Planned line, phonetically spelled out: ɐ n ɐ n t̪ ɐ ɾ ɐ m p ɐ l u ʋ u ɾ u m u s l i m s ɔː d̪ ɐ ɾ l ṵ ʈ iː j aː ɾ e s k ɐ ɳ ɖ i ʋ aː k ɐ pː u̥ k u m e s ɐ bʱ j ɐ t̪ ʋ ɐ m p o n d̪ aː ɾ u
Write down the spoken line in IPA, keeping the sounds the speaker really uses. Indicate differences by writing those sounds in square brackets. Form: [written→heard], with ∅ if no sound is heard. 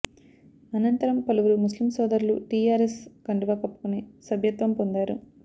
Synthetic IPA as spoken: ɐ n ɐ n t̪ ɐ ɾ ɐ m p ɐ l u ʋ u ɾ u m u s l i m s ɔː d̪ ɐ ɾ l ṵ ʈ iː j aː ɾ e s k ɐ ɳ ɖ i ʋ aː k ɐ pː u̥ k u [m→n] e s ɐ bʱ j ɐ t̪ ʋ ɐ m p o n d̪ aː ɾ u